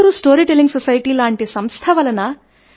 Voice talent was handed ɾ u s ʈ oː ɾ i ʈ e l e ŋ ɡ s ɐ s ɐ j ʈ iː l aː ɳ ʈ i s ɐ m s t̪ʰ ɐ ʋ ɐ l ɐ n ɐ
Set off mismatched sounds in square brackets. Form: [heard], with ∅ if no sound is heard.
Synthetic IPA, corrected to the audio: ɾ u s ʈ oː ɾ i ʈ e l [i] ŋ ɡ s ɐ s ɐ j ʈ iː l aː ɳ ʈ i s ɐ m s t̪ʰ ɐ ʋ ɐ l ɐ n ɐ